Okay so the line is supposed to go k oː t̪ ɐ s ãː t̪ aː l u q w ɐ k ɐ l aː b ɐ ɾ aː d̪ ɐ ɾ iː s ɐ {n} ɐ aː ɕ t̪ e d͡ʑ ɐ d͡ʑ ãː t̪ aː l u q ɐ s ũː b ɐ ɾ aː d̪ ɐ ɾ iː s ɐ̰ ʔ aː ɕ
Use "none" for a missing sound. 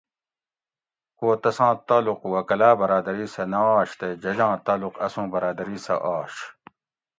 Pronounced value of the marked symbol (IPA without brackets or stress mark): n